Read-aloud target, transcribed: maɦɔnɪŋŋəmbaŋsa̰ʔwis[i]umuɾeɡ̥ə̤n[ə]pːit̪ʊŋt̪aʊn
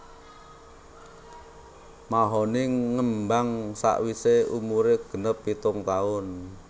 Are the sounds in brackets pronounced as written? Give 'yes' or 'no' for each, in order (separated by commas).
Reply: no, yes